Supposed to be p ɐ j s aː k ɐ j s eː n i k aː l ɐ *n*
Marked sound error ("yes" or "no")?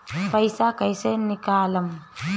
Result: yes